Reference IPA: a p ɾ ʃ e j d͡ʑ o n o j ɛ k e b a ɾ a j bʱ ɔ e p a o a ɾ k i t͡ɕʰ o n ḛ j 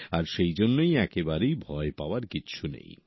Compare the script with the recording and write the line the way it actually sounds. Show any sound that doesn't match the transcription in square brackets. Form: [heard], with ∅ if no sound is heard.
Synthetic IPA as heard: a [∅] ɾ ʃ e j d͡ʑ o [nː] o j ɛ k e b a ɾ [e] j bʱ ɔ e p a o a ɾ k i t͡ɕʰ [u] n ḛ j